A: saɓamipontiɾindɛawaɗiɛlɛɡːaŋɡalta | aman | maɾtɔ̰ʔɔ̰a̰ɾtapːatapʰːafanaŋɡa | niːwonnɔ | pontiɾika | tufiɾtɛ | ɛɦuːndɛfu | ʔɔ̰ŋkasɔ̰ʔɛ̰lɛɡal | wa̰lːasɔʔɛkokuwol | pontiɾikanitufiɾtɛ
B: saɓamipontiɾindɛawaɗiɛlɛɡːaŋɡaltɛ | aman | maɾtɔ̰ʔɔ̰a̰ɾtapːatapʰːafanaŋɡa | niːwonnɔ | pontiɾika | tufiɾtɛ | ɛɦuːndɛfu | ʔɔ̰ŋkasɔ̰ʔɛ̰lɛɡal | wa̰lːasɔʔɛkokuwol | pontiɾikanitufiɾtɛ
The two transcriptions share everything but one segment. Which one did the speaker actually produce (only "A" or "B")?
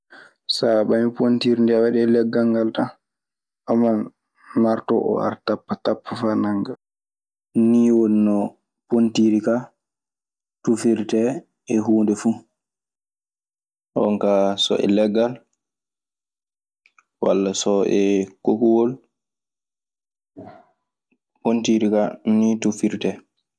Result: A